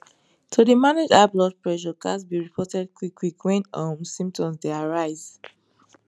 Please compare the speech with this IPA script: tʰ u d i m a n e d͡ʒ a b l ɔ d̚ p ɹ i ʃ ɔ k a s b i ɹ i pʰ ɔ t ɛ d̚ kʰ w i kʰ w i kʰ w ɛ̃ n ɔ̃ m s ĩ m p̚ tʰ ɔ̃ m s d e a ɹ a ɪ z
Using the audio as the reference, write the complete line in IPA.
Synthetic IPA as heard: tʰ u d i m a n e d͡ʒ a b l ɔ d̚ p ɹ ɛ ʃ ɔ k a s b i ɹ i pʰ ɔ t ɛ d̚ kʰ w i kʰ w i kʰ w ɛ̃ n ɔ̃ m s ĩ m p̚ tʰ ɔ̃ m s d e a ɹ a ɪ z